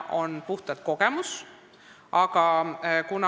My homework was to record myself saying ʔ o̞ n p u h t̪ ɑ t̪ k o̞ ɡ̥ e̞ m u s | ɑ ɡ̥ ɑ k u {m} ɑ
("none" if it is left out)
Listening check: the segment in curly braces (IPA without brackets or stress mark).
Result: n